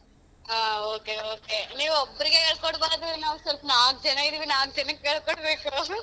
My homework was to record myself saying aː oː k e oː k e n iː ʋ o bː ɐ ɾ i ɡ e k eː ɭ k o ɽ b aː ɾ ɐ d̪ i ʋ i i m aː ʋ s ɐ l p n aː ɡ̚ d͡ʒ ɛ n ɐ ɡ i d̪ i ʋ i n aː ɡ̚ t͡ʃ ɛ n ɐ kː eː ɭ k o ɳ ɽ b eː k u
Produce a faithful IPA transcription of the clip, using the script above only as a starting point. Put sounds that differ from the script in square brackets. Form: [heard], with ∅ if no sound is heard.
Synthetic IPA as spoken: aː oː k e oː k e n iː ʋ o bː ɐ ɾ i ɡ e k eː ɭ k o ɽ b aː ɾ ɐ d̪ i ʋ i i [n] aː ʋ s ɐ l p n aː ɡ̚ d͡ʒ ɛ n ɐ ɡ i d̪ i ʋ i n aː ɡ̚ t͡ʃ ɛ n ɐ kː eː ɭ k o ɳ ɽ b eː k u